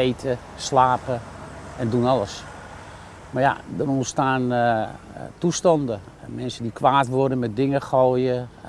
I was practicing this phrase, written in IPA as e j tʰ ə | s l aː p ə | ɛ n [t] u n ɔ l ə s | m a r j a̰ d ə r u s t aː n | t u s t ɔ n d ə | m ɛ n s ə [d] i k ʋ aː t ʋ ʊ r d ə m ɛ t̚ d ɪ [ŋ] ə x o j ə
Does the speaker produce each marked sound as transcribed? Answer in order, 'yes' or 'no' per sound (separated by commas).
no, yes, yes